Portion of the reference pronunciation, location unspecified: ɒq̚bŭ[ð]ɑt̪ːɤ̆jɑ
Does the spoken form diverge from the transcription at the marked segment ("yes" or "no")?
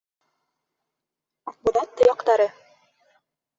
no